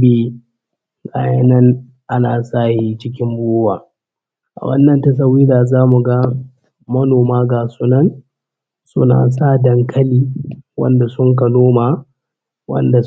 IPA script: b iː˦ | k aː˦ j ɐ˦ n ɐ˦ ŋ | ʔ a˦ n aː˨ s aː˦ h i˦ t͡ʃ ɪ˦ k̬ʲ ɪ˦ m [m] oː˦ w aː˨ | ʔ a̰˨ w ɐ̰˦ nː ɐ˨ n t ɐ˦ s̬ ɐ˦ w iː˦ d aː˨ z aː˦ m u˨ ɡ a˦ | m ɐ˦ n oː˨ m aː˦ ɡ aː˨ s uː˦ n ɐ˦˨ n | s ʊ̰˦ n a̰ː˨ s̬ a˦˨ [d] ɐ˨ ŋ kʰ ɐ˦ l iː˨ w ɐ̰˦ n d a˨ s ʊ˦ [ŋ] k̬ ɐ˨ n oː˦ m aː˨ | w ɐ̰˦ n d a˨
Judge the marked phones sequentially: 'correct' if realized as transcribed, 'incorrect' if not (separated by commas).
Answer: incorrect, correct, correct